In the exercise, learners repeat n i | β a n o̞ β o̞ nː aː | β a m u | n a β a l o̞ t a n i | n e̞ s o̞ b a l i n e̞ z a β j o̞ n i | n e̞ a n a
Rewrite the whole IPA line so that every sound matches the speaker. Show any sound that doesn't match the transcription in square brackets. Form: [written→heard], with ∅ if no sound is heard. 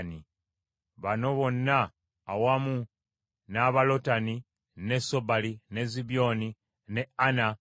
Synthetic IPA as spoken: n i | β a n o̞ β o̞ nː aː | [β→w] a m u | n a β a l o̞ t a n i | n e̞ s o̞ b a l i n e̞ z [a→i] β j o̞ n i | n e̞ a n a